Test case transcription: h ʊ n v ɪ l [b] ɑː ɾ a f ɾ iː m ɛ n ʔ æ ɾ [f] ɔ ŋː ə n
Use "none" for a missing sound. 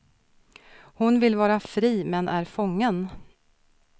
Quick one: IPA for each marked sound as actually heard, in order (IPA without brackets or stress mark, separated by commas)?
v, f